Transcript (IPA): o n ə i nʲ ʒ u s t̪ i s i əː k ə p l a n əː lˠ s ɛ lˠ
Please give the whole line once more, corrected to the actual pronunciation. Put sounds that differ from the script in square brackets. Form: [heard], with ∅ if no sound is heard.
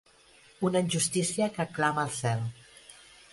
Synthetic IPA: [u] n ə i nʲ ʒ u s t̪ i s i [ə] k ə [k] l a [m] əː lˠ s ɛ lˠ